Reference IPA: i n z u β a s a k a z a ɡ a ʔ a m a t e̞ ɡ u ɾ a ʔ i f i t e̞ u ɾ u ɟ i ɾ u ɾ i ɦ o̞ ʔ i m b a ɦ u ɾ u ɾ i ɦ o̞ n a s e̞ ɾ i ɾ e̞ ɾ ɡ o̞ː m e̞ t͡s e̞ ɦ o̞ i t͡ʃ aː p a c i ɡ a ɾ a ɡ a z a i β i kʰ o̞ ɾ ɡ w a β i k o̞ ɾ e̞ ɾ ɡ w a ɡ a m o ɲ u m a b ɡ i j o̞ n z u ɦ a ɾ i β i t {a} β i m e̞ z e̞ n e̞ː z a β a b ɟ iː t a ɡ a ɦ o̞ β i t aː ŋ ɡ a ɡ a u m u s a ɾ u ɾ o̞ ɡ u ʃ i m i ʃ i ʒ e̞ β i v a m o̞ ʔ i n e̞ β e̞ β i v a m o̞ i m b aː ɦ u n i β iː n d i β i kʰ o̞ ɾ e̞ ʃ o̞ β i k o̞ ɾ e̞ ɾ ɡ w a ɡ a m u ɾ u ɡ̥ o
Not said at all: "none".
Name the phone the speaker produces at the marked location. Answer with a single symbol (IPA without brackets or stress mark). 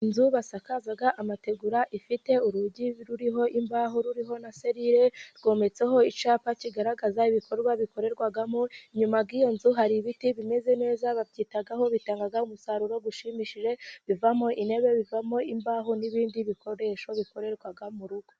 i